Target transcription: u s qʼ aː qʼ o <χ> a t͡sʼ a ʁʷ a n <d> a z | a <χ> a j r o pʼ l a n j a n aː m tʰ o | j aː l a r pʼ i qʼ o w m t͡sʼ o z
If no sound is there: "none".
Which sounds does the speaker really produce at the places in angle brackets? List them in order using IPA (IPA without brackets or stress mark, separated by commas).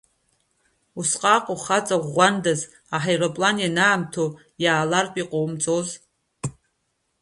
χ, d, ħ